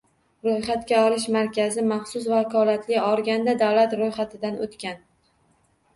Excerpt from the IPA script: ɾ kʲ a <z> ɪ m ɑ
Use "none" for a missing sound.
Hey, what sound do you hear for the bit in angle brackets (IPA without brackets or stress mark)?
z